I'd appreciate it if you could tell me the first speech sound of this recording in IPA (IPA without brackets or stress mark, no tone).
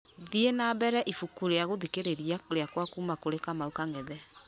ð